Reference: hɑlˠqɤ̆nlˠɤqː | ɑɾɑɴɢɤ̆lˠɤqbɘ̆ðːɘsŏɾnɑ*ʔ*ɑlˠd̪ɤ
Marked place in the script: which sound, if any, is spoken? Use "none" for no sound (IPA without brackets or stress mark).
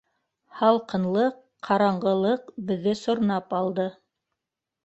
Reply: p